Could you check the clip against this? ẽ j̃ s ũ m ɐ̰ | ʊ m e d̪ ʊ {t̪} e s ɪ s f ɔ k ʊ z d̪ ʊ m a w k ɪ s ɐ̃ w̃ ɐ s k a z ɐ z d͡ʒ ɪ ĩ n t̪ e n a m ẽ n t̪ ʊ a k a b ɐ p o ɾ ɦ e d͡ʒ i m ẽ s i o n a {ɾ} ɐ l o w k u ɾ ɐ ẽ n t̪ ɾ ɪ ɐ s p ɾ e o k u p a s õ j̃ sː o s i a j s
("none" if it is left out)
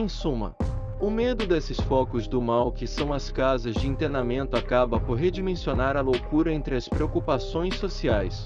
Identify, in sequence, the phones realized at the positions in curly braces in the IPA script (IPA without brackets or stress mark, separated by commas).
d̪, ɾ